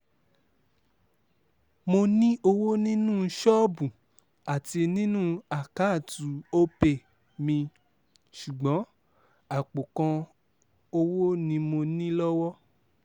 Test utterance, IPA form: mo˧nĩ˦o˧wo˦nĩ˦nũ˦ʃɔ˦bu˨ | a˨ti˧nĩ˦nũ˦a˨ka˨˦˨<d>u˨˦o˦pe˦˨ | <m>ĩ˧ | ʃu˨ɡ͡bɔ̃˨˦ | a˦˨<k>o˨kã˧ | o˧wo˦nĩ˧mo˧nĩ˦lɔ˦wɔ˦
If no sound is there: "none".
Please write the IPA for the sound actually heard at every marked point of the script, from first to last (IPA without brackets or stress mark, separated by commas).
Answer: t, m, k͡p